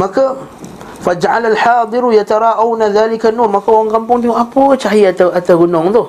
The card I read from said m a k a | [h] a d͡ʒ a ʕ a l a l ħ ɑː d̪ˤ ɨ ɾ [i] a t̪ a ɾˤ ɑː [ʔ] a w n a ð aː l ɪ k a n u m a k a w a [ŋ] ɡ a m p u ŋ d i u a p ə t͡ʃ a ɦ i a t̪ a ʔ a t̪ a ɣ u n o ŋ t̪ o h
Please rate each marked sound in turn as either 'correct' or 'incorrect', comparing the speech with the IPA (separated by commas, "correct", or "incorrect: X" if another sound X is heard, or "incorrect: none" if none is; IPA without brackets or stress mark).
incorrect: f, incorrect: j, correct, correct